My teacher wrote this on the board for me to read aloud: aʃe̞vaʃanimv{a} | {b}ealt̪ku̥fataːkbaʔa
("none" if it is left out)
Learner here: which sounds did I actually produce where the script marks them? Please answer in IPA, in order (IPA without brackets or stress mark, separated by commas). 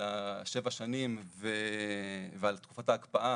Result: e, v